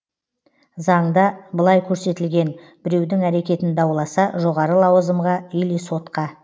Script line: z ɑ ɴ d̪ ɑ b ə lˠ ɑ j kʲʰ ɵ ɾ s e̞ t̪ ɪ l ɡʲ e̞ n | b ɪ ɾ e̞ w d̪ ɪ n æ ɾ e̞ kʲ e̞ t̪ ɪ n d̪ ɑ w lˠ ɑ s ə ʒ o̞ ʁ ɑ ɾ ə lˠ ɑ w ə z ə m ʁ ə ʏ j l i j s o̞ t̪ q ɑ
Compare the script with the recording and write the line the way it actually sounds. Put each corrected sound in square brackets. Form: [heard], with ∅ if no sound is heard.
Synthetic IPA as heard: z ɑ ɴ d̪ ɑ b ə lˠ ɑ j kʲʰ ɵ ɾ s e̞ t̪ ɪ l ɡʲ e̞ n | b ɪ ɾ e̞ w d̪ ɪ [ŋ] æ ɾ e̞ kʲ e̞ t̪ ɪ n d̪ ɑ w lˠ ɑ s [ɑ] ʒ o̞ ʁ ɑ ɾ ə lˠ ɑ w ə z ə m ʁ [ɑ] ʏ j l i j s o̞ t̪ q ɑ